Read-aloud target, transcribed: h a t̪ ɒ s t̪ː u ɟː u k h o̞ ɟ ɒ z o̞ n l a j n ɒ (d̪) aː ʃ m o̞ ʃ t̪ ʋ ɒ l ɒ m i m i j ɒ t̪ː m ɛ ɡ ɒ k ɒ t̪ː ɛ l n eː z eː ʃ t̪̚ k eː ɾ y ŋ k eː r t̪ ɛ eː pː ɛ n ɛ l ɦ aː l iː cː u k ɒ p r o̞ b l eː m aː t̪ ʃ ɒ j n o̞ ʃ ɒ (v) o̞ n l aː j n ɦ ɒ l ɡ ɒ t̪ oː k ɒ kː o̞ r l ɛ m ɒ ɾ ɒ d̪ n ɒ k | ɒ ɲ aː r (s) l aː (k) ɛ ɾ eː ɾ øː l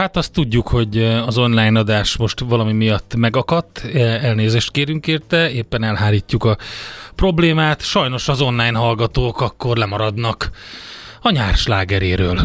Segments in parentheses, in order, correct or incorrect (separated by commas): correct, incorrect, incorrect, incorrect